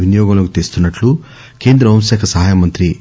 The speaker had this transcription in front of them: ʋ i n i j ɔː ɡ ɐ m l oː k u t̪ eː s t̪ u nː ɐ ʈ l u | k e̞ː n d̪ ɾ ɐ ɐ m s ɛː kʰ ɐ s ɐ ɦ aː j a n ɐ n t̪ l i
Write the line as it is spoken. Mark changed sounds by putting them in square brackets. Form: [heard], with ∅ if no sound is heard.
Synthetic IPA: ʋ i n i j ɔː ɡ ɐ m l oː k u t̪ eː s t̪ u nː ɐ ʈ l u | k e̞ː n d̪ ɾ ɐ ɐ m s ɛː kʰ ɐ s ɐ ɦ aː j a [m] ɐ n t̪ [ɾ] i

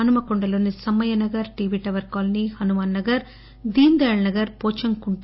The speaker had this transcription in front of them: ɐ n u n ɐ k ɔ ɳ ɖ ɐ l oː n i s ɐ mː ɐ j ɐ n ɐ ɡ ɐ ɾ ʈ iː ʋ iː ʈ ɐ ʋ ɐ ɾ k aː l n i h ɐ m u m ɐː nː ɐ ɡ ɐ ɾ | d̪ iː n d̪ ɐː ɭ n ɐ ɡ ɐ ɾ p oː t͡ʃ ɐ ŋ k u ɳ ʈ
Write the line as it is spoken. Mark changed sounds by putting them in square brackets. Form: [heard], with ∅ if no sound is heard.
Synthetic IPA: ɐ n u [m] ɐ k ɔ ɳ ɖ ɐ l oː n i s ɐ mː ɐ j ɐ n ɐ ɡ ɐ ɾ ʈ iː ʋ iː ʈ ɐ ʋ ɐ ɾ k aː l n i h ɐ [n] u m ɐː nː ɐ ɡ ɐ ɾ | d̪ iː n d̪ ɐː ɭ n ɐ ɡ ɐ ɾ p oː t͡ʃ ɐ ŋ k u ɳ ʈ

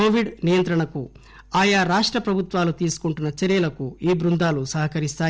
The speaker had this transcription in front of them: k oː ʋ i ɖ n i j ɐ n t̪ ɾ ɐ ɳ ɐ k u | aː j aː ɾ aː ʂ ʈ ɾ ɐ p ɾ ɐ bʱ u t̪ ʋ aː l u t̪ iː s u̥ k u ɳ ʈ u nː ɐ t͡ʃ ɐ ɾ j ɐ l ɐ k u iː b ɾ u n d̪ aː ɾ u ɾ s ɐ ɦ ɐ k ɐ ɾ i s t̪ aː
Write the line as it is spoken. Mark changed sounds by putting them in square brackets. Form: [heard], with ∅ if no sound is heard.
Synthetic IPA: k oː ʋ i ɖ n i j ɐ n t̪ ɾ ɐ ɳ ɐ k u | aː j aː ɾ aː ʂ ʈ ɾ ɐ p ɾ ɐ bʱ u t̪ ʋ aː l u t̪ iː s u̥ k u ɳ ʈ u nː ɐ t͡ʃ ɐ ɾ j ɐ l ɐ k u iː b ɾ u n d̪ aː [l] u [∅] s ɐ ɦ ɐ k ɐ ɾ i s t̪ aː

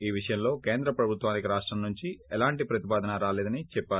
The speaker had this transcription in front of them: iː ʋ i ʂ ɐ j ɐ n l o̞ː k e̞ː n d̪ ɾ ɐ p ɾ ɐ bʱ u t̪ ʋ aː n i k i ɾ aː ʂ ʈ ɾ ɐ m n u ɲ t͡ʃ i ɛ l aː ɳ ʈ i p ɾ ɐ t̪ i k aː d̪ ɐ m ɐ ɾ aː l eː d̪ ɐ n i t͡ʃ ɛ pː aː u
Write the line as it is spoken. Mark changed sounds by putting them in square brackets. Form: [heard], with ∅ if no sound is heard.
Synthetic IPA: iː ʋ i ʂ ɐ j ɐ [m] l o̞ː k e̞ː n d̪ ɾ ɐ p ɾ ɐ bʱ u t̪ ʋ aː n i k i ɾ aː ʂ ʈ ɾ ɐ m n u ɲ t͡ʃ i ɛ l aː ɳ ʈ i p ɾ ɐ t̪ i [p] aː d̪ ɐ [n] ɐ ɾ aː l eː d̪ ɐ n i t͡ʃ ɛ pː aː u

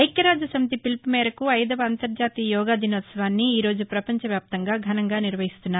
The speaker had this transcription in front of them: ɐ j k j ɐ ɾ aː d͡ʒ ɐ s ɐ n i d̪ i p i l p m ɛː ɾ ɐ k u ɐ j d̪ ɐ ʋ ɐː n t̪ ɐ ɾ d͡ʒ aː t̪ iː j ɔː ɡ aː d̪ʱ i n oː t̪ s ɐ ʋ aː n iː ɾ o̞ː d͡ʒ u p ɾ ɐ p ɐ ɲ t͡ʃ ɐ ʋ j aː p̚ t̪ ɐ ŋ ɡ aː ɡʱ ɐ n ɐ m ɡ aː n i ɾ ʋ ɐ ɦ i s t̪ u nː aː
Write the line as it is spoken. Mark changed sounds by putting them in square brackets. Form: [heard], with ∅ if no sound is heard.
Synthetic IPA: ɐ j k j ɐ ɾ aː d͡ʒ ɐ s ɐ [m] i [t̪] i p i l p m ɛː ɾ ɐ k u ɐ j d̪ ɐ ʋ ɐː n t̪ ɐ ɾ d͡ʒ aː t̪ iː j ɔː ɡ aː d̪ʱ i n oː t̪ s ɐ ʋ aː [nː] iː ɾ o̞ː d͡ʒ u p ɾ ɐ p ɐ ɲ t͡ʃ ɐ ʋ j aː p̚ t̪ ɐ ŋ ɡ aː ɡʱ ɐ n ɐ [ŋ] ɡ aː n i ɾ ʋ ɐ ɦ i s t̪ u nː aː

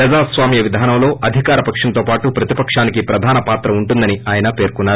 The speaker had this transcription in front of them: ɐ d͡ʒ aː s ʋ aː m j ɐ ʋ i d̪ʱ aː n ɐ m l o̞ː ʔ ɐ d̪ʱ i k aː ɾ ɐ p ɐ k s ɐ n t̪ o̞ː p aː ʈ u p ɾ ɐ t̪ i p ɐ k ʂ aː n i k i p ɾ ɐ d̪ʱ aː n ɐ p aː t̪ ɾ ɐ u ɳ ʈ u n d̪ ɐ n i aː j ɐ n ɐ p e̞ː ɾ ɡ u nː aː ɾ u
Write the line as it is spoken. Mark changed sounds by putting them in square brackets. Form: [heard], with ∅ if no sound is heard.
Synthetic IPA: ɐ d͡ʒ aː s ʋ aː m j ɐ ʋ i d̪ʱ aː n ɐ m l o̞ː ʔ ɐ d̪ʱ i k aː ɾ ɐ p ɐ k [ʂ] ɐ n t̪ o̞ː p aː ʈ u p ɾ ɐ t̪ i p ɐ k ʂ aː n i k i p ɾ ɐ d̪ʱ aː n ɐ p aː t̪ ɾ ɐ u ɳ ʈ u n d̪ ɐ n i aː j ɐ n ɐ p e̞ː ɾ [k] u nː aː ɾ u

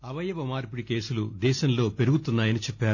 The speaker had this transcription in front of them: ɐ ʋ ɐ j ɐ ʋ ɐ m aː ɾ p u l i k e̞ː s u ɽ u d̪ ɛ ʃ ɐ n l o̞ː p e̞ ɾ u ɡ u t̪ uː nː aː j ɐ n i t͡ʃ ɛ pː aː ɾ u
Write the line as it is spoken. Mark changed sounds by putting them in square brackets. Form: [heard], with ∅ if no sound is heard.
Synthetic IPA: ɐ ʋ ɐ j ɐ ʋ ɐ m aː ɾ p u [ɽ] i k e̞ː s u [l] u d̪ [ɛː] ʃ ɐ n l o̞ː p e̞ ɾ u ɡ u t̪ [u] nː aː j ɐ n i t͡ʃ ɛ pː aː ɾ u

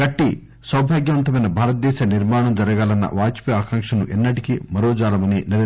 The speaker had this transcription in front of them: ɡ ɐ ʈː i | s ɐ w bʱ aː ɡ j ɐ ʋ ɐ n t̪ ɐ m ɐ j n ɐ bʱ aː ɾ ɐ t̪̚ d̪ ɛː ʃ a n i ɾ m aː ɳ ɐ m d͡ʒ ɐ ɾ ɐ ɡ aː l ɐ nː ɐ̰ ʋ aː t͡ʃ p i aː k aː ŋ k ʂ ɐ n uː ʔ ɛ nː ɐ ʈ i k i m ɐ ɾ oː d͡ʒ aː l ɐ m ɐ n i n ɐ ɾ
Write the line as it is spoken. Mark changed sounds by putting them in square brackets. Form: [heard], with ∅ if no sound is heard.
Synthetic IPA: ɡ ɐ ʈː i | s ɐ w bʱ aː ɡ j ɐ ʋ ɐ n t̪ ɐ m ɐ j n ɐ bʱ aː ɾ ɐ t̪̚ d̪ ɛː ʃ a n i ɾ m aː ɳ ɐ m d͡ʒ ɐ ɾ ɐ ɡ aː l ɐ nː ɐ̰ ʋ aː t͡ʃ p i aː k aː ŋ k ʂ ɐ n [u] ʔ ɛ nː ɐ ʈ i k i m ɐ ɾ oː d͡ʒ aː l ɐ m ɐ n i n ɐ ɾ

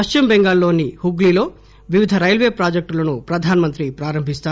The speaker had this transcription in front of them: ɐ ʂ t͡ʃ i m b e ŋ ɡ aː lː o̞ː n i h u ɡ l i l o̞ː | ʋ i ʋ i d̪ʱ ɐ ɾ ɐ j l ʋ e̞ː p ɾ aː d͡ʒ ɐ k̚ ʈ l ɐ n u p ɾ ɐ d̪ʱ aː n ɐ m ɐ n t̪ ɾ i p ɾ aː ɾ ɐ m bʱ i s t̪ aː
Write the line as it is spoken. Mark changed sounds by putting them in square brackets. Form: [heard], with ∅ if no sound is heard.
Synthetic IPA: ɐ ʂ t͡ʃ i m b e ŋ ɡ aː lː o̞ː n i h u ɡ l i l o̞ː | ʋ i ʋ i d̪ʱ ɐ ɾ ɐ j l ʋ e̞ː p ɾ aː d͡ʒ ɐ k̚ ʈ l ɐ n u p ɾ ɐ d̪ʱ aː n ɐ m ɐ n t̪ ɾ i p ɾ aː ɾ ɐ m bʱ i s t̪ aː

